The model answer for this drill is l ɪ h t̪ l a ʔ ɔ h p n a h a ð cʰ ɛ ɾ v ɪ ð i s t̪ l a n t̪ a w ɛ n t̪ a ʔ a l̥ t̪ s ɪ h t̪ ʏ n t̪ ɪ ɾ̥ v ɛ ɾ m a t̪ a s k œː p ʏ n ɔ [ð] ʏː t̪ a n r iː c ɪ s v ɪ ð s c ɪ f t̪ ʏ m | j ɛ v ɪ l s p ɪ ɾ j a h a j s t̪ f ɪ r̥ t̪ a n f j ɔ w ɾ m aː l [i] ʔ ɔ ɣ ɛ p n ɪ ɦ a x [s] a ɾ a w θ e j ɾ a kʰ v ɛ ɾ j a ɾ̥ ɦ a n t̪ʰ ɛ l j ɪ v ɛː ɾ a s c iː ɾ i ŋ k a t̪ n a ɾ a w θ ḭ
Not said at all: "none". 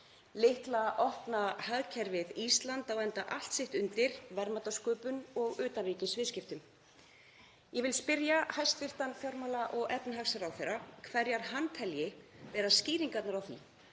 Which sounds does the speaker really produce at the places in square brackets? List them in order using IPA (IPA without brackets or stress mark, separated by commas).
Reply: ɣ, a, s